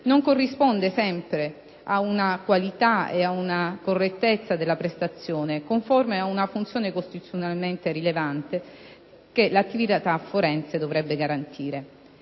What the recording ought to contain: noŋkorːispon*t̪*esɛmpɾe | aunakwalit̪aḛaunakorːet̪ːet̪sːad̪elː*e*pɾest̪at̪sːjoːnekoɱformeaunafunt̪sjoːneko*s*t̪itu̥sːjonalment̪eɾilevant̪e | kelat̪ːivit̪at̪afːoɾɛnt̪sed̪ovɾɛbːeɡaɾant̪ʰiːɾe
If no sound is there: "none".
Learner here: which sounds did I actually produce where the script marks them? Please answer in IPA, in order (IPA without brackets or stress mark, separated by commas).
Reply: d̪, a, s